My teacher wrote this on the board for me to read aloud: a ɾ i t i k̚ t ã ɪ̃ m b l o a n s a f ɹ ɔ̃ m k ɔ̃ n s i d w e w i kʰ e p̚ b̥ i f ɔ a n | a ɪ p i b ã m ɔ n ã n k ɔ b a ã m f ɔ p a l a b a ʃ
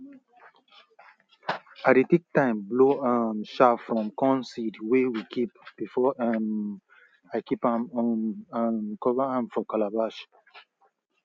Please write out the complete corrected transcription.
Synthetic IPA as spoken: a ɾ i t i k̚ t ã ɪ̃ m b l o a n ʃ a f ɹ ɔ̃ m k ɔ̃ n s i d w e w i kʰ i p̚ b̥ i f ɔ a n | a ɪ k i p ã m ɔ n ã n k ɔ v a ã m f ɔ k a l a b a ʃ